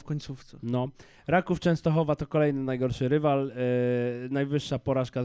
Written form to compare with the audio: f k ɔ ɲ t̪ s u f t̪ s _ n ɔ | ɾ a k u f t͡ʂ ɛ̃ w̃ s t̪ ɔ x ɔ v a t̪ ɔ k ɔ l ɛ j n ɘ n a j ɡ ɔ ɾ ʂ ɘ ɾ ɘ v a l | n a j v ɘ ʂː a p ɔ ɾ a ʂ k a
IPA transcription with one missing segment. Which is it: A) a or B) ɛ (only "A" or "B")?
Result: B